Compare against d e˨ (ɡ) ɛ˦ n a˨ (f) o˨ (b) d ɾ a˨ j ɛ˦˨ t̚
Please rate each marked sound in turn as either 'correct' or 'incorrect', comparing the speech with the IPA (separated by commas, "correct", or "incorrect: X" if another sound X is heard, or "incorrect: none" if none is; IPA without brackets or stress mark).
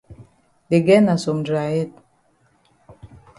correct, incorrect: s, incorrect: m